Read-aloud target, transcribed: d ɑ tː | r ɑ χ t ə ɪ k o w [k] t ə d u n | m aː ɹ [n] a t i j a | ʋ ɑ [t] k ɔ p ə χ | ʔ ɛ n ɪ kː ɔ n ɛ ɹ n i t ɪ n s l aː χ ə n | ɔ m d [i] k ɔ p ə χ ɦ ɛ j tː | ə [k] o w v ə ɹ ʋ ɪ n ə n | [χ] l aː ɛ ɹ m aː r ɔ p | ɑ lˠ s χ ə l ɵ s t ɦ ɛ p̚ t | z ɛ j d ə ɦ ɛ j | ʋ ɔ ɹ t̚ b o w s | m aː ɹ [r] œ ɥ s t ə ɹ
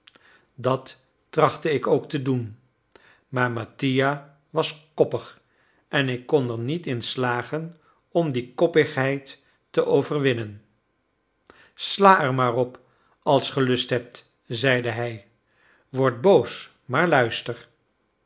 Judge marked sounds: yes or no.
yes, no, no, yes, no, no, no

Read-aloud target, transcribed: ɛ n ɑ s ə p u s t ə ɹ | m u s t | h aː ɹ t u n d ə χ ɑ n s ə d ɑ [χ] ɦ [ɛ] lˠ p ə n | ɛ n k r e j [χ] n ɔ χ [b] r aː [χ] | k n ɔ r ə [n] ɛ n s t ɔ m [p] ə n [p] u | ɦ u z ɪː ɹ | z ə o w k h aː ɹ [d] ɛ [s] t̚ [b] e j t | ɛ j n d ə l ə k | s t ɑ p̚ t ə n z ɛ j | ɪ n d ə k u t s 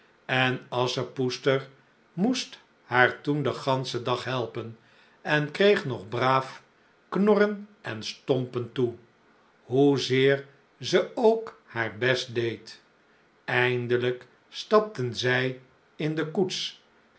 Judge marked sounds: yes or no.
yes, yes, yes, yes, no, yes, yes, no, no, yes, no

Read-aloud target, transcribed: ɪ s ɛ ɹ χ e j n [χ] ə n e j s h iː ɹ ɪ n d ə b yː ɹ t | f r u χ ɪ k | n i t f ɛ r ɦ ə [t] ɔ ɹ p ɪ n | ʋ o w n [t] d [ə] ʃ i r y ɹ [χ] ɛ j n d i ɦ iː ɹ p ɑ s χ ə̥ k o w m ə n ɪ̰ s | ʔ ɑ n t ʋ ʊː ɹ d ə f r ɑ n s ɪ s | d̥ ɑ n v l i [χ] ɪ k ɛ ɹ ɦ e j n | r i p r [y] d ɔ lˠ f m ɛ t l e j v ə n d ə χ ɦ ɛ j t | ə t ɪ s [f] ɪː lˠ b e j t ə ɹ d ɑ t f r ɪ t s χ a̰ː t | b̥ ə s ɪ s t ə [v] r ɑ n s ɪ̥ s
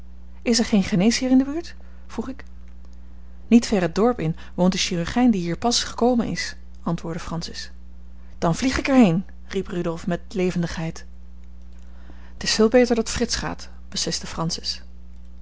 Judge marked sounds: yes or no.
yes, no, yes, yes, yes, yes, yes, yes, no

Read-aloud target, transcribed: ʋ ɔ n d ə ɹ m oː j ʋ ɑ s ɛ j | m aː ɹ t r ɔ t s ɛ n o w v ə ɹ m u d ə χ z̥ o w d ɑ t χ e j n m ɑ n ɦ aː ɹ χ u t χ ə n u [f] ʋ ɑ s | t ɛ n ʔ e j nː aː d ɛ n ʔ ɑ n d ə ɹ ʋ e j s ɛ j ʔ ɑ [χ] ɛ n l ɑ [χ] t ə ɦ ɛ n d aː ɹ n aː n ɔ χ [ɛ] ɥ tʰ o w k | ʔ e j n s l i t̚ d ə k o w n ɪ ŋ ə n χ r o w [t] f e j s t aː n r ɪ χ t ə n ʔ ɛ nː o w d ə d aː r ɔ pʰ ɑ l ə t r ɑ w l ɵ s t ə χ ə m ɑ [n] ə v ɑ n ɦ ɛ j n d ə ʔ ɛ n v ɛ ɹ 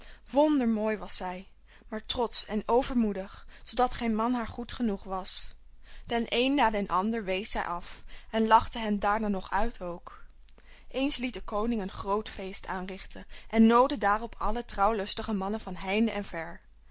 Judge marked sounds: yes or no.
no, no, yes, no, yes, yes

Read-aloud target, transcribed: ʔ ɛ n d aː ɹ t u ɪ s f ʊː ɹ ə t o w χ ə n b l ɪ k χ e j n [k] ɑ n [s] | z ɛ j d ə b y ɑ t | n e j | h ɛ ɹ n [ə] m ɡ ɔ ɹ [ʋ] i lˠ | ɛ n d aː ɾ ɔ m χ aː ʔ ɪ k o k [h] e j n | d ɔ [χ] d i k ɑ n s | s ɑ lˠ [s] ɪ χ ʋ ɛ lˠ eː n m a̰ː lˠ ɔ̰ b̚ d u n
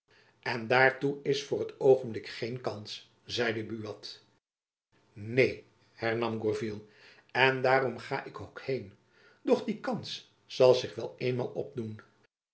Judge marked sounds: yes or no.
yes, yes, no, no, yes, yes, no

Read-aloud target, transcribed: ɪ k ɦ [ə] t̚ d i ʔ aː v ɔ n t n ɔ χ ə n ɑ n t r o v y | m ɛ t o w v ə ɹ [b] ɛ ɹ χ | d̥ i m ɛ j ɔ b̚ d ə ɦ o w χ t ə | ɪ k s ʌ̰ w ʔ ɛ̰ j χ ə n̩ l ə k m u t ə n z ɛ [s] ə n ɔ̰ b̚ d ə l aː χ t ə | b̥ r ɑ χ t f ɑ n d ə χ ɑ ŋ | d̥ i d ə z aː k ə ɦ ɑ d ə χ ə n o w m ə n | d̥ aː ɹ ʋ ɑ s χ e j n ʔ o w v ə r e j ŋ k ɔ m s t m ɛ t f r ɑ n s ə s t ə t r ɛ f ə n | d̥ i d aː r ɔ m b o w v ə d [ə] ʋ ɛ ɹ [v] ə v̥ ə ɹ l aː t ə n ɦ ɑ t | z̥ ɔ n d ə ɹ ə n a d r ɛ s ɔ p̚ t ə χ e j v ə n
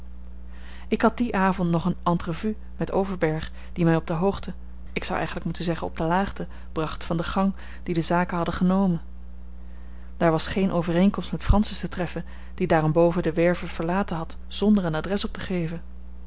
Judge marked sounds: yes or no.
no, yes, no, yes, yes

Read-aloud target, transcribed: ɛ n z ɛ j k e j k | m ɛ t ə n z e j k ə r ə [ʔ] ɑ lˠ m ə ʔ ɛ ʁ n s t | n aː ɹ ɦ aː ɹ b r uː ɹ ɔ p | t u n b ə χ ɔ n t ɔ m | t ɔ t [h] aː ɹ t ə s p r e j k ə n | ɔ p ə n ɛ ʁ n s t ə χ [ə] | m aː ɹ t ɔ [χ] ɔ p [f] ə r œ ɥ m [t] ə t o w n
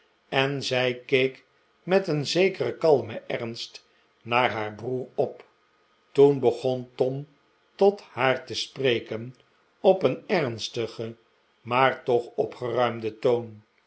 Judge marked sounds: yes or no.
no, yes, yes, yes, no, no

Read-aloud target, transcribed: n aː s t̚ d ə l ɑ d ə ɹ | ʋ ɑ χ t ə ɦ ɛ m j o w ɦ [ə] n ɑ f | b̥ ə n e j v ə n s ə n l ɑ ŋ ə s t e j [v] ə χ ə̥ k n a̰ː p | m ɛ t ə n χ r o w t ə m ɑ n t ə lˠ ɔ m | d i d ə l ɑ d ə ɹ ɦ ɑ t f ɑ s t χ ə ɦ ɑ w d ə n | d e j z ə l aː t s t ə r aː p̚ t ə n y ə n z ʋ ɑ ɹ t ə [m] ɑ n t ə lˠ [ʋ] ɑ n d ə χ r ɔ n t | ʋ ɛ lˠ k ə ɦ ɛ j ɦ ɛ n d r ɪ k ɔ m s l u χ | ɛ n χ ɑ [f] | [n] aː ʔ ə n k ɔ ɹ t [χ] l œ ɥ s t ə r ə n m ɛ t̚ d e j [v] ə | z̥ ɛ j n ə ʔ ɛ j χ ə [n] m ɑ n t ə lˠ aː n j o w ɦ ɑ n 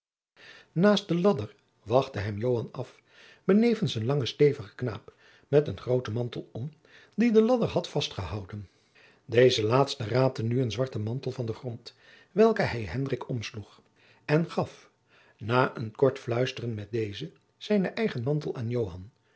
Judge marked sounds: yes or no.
no, yes, yes, no, yes, yes, no, no, yes

